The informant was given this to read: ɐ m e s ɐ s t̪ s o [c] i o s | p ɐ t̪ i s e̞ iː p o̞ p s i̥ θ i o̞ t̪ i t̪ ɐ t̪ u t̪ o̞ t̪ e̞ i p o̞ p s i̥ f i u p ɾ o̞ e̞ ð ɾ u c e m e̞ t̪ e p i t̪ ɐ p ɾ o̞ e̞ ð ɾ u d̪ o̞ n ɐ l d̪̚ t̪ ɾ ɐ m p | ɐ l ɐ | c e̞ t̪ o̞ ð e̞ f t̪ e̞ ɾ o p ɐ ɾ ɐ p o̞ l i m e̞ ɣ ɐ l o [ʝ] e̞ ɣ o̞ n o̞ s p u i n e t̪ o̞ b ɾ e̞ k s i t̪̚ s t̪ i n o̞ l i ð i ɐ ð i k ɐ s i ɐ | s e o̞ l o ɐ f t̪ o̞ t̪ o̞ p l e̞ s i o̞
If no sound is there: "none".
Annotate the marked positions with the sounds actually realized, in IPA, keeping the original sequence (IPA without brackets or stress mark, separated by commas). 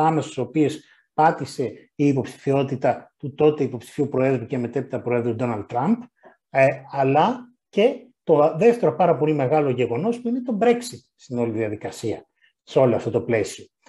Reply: p, ʝ